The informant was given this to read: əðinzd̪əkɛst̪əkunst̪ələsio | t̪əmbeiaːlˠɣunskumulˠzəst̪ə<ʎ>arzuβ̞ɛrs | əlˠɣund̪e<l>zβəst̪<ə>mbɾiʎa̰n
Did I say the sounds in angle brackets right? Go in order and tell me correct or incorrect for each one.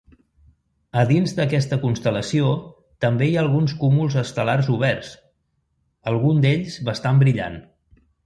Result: incorrect: l, incorrect: ʎ, incorrect: a

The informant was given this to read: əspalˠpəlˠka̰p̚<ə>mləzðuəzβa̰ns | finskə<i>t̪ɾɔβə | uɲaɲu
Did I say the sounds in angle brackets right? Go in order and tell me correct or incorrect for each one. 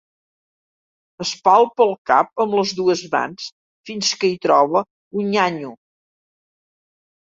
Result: correct, correct

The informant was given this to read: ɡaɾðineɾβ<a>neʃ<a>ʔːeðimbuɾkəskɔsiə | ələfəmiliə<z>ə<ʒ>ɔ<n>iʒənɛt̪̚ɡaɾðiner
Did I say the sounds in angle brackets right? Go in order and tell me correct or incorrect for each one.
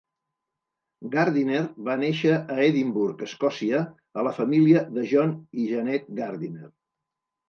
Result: correct, incorrect: ə, incorrect: ð, correct, correct

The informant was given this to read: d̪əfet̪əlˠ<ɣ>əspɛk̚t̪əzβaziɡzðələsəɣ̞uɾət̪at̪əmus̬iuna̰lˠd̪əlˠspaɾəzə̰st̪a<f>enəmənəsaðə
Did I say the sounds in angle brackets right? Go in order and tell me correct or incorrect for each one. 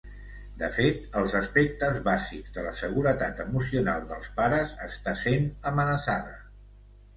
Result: incorrect: z, incorrect: s

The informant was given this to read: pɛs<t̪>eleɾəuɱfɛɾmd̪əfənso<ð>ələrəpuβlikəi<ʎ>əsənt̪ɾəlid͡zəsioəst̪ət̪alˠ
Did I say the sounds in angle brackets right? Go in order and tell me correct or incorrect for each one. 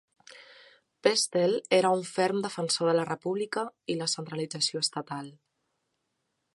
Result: correct, correct, incorrect: l

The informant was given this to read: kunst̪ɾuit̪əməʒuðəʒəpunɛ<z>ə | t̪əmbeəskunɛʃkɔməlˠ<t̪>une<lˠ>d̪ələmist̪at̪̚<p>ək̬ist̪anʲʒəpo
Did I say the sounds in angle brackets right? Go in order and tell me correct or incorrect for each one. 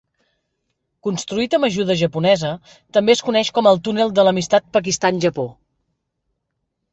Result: correct, correct, correct, correct

